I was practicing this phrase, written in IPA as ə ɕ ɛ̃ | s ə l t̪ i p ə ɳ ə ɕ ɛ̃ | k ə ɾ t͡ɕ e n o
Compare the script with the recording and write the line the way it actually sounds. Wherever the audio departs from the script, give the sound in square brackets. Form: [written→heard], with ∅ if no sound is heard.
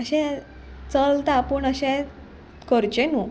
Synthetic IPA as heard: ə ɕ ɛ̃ | [s→t͡s] ə l t̪ [i→a] p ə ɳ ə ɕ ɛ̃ | k ə ɾ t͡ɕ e n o